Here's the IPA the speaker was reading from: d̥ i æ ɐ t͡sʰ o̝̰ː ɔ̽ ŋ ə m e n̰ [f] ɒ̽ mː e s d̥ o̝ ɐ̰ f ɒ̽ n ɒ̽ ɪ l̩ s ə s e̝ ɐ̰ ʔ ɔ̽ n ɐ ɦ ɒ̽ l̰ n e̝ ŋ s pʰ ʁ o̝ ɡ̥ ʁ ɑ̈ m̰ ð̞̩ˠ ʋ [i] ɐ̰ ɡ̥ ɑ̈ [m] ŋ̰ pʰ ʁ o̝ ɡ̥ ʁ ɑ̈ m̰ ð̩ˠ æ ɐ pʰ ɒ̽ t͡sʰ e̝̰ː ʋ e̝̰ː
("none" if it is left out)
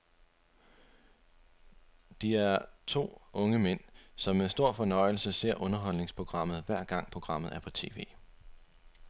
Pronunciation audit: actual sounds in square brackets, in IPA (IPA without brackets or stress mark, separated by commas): s, æ, none